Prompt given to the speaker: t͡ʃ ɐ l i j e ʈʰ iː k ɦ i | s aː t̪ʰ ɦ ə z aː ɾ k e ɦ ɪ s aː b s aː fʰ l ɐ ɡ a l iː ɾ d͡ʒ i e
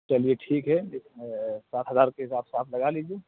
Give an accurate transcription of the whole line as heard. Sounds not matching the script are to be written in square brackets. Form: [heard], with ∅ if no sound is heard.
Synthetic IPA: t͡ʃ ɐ l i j e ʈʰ iː k ɦ [ɛ] | s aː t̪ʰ ɦ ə z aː ɾ k e ɦ ɪ s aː b s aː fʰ l ɐ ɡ a l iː [∅] d͡ʒ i e